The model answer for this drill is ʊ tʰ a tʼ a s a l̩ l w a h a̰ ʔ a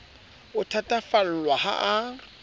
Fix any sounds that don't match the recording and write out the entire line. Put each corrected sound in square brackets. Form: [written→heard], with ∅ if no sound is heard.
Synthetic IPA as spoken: ʊ tʰ a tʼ a [s→f] a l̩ l w a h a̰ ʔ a